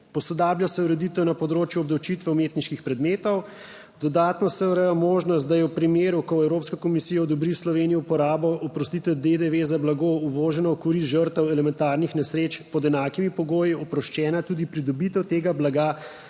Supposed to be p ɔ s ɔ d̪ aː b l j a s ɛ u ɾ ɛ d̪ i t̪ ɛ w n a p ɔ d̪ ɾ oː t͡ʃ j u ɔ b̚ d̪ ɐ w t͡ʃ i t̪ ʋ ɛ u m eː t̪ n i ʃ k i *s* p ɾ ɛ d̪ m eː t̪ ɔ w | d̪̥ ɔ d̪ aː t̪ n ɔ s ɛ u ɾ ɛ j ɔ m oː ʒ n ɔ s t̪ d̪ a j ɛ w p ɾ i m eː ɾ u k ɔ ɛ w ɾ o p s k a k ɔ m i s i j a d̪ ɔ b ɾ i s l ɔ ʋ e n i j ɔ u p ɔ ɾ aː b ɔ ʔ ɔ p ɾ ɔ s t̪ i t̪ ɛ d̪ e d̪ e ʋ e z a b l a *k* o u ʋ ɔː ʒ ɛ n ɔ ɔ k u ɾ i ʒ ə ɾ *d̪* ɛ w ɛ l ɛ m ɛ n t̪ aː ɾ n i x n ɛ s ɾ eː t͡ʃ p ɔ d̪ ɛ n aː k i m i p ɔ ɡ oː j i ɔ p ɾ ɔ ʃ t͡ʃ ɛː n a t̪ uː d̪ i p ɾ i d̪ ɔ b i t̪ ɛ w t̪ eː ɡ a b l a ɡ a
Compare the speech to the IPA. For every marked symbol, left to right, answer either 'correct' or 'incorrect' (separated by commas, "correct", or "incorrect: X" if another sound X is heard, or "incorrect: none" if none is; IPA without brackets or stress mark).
incorrect: x, incorrect: ɡ, incorrect: t̪